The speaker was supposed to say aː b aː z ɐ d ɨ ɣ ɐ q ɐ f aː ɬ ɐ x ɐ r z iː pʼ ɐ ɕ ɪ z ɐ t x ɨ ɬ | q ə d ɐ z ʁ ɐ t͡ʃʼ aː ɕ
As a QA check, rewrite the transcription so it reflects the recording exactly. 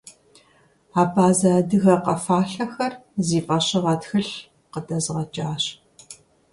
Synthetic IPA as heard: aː b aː z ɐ d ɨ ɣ ɐ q ɐ f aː ɬ ɐ x ɐ r z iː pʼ ɐ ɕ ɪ ʁ ɐ t x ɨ ɬ | q ə d ɐ z ʁ ɐ t͡ʃʼ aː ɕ